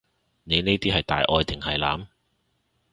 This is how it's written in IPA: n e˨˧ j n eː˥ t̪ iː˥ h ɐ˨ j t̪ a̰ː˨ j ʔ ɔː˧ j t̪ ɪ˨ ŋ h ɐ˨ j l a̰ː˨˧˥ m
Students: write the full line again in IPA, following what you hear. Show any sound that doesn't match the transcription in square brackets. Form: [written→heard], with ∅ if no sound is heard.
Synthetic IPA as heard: n e˨˧ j n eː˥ t̪ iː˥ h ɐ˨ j t̪ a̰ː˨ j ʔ ɔː˧ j t̪ ɪ˨ ŋ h ɐ˨ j l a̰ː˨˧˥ m